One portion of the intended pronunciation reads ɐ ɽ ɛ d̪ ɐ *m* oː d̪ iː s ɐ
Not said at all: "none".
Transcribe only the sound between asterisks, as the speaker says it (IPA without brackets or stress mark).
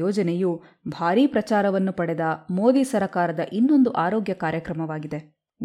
m